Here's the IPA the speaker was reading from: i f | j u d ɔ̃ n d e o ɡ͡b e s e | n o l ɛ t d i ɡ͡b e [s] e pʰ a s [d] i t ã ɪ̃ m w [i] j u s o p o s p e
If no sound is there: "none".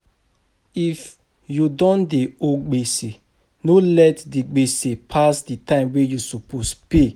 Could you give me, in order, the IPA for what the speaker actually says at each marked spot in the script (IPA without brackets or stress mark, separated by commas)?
s, d, e